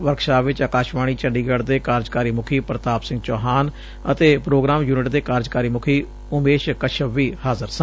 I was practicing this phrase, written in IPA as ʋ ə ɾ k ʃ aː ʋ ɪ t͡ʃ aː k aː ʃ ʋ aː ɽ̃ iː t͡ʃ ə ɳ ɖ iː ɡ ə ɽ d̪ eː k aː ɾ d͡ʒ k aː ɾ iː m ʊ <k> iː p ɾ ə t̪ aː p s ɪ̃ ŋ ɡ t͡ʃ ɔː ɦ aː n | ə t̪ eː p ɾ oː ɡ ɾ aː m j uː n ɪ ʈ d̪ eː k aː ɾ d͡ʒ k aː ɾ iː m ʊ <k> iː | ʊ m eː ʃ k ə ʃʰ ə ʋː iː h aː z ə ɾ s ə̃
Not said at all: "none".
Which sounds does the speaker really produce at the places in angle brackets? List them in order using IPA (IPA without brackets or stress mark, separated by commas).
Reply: kʰ, kʰ